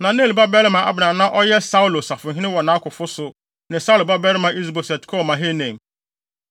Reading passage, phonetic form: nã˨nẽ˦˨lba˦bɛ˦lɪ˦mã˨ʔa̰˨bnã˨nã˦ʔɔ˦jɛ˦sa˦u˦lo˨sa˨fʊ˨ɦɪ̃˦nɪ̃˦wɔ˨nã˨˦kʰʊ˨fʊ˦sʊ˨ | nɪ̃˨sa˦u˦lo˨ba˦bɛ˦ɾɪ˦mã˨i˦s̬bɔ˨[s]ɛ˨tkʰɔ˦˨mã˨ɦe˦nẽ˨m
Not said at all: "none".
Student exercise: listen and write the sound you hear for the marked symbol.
s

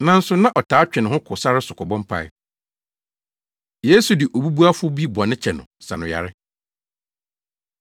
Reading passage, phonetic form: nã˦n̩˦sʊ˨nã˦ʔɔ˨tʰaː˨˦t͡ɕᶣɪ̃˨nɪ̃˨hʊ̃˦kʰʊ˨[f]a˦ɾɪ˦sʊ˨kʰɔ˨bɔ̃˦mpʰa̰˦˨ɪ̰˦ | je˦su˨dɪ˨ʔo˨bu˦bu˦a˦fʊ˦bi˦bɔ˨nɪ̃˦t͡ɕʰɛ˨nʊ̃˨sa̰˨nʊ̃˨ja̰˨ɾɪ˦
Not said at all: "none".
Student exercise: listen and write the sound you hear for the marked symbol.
s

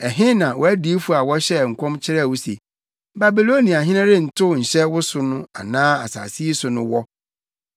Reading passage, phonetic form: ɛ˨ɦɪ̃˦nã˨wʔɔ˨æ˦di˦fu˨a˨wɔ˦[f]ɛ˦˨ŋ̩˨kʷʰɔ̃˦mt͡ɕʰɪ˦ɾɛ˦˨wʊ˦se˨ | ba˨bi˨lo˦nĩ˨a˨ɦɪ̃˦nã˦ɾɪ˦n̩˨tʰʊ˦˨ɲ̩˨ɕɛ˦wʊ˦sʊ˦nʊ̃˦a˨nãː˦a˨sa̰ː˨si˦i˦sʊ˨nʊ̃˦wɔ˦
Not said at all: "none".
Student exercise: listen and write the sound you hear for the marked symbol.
ɕ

